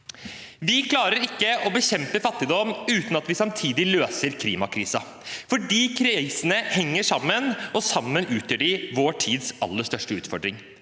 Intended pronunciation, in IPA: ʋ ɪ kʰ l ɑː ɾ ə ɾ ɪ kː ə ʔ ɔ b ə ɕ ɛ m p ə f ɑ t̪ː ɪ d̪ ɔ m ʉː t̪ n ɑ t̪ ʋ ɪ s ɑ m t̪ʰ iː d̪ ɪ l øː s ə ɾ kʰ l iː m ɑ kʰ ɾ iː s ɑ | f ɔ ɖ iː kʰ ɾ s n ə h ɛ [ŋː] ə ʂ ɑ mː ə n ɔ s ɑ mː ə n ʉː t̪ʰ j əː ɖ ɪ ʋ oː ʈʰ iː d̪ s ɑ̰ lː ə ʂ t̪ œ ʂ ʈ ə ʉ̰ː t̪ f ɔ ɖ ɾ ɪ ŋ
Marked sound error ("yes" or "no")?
no